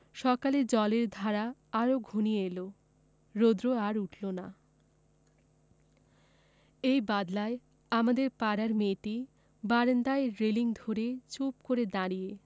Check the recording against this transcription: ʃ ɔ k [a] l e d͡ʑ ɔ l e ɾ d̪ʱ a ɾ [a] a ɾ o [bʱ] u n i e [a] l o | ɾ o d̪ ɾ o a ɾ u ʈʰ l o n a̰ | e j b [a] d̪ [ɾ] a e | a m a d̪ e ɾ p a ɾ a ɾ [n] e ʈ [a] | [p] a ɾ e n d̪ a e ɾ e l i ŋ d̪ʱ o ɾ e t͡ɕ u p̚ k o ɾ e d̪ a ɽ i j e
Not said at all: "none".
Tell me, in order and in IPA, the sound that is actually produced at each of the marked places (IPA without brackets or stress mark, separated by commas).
a, a, ɡʱ, e, a, l, m, i, b